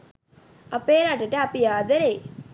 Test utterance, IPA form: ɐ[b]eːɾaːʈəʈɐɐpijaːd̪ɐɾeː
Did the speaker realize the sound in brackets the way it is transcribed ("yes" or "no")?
no